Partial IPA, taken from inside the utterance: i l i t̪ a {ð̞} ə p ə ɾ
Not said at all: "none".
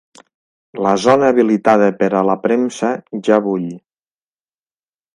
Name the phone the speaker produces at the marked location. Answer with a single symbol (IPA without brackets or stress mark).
ð̞